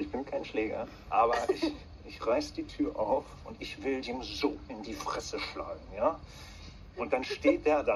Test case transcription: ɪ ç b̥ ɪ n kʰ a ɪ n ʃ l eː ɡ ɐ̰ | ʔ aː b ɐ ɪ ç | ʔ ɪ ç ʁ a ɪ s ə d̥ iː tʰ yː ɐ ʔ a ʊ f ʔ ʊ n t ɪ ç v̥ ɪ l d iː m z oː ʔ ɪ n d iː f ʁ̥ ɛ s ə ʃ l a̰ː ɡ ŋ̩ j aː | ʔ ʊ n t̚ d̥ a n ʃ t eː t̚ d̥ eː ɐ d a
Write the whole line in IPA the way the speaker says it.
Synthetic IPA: ɪ ç b̥ ɪ n kʰ a ɪ n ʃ l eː ɡ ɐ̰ | ʔ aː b ɐ ɪ ç | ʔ ɪ ç ʁ a ɪ s ə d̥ iː tʰ yː ɐ ʔ a ʊ f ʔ ʊ n t ɪ ç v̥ ɪ l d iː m z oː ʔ ɪ n d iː f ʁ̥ ɛ s ə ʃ l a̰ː ɡ ŋ̩ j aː | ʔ ʊ n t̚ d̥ a n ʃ t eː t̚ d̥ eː ɐ d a